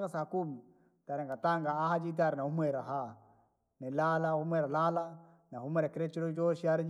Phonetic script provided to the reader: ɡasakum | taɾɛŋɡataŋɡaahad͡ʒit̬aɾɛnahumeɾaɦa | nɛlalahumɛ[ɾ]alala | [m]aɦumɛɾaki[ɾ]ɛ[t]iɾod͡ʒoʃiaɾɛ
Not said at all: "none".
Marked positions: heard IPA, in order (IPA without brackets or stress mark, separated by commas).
ɾ, n, ɾ, t͡ʃ